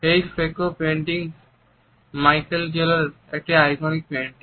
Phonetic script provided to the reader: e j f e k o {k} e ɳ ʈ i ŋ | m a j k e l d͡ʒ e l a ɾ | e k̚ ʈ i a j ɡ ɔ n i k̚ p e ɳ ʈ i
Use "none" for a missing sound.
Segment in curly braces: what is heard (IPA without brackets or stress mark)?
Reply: p